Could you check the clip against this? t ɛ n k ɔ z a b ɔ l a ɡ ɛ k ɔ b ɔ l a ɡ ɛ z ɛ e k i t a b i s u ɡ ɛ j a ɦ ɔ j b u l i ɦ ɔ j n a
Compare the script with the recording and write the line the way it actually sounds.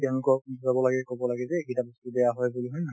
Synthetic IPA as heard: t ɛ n k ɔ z a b ɔ l a ɡ ɛ k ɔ b ɔ l a ɡ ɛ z ɛ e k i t a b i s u b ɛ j a ɦ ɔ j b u l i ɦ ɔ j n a

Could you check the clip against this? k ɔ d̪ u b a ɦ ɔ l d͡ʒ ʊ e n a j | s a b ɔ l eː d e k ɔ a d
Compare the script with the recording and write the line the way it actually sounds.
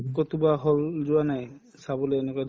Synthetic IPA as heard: k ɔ t̪ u b a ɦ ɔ l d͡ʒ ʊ a n a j | s a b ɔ l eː n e k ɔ a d

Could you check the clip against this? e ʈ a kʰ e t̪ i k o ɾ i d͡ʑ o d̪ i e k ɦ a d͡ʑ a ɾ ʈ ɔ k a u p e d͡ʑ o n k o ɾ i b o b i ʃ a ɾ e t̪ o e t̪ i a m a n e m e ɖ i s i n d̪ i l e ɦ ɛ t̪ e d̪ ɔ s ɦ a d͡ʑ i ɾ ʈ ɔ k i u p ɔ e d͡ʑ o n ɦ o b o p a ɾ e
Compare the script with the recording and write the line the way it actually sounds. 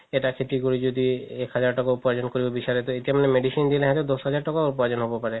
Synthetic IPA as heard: e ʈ a kʰ e t̪ i k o ɾ i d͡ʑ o d̪ i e k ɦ a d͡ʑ a ɾ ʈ ɔ k a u p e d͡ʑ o n k o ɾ i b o b i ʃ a ɾ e t̪ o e t̪ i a m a n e m e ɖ i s i n d̪ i l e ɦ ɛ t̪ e d̪ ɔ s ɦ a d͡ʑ a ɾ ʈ ɔ k a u p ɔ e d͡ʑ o n ɦ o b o p a ɾ e

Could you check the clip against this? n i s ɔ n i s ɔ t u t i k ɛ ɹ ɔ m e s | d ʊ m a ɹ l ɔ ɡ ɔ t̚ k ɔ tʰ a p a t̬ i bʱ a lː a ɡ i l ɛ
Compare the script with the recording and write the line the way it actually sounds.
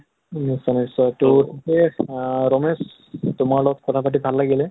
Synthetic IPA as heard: n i s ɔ n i s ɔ t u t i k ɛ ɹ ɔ m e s | t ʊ m a ɹ l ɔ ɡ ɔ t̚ k ɔ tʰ a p a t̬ i bʱ a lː a ɡ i l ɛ

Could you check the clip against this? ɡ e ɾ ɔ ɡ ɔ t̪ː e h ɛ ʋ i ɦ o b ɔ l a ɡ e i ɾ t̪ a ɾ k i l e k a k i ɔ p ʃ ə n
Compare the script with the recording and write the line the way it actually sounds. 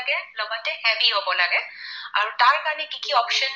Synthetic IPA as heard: ɡ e l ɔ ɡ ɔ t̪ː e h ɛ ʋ i ɦ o b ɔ l a ɡ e a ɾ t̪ a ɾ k a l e k i k i ɔ p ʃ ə n

